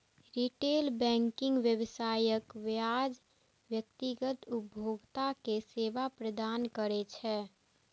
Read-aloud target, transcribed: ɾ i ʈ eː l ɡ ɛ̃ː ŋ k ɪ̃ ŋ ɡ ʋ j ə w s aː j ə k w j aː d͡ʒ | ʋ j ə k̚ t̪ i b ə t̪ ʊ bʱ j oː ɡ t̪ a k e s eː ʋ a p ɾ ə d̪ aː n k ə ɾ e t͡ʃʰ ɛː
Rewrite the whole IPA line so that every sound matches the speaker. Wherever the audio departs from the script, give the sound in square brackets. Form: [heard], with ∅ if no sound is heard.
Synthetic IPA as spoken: ɾ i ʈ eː l [b] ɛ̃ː ŋ k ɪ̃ ŋ ɡ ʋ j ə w s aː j ə k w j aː d͡ʒ | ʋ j ə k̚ t̪ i [ɡ] ə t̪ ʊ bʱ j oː ɡ t̪ a k e s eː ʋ a p ɾ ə d̪ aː n k ə ɾ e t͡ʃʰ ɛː